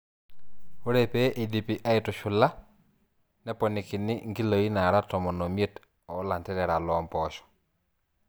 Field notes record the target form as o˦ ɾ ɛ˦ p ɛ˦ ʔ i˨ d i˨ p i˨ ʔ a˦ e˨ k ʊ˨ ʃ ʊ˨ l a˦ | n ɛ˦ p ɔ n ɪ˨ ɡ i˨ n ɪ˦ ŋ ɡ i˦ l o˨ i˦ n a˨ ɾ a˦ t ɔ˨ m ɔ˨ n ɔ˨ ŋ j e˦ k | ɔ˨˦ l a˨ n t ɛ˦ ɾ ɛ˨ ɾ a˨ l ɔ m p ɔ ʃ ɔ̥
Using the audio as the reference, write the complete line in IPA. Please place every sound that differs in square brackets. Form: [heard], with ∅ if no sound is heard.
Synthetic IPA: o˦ ɾ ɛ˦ p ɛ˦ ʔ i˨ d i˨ p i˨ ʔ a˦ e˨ [t] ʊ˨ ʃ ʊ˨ l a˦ | n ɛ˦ p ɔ n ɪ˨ [k] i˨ n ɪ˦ ŋ ɡ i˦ l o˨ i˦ n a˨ ɾ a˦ t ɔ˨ m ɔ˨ n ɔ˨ [m] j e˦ [t] | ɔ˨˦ l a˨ n t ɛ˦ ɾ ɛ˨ ɾ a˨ l ɔ m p ɔ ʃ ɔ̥